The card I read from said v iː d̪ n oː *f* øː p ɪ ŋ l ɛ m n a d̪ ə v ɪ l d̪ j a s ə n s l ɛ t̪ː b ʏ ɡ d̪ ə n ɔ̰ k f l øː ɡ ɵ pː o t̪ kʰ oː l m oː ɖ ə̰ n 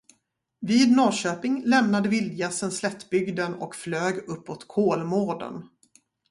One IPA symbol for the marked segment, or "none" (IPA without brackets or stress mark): ɕ